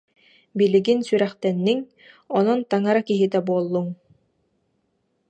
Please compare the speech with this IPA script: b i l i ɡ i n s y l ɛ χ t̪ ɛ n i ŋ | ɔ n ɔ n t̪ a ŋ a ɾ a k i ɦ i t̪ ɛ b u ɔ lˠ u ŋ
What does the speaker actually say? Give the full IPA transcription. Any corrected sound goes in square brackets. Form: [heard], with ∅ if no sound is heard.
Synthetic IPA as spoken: b i l i ɡ i n s y [ɾ] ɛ χ t̪ ɛ [nː] i ŋ | ɔ n ɔ n t̪ a ŋ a ɾ a k i ɦ i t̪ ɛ b u ɔ [lˠː] u ŋ